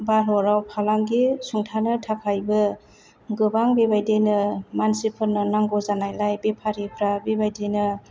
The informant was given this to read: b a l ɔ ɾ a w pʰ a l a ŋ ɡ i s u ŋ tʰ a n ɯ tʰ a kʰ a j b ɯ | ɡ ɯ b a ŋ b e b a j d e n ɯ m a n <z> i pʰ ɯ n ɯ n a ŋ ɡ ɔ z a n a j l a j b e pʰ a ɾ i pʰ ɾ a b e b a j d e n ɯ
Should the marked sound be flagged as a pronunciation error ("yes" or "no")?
yes